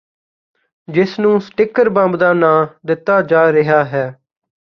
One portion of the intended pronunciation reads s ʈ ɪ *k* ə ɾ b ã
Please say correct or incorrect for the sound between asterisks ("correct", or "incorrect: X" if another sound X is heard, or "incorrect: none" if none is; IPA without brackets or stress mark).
correct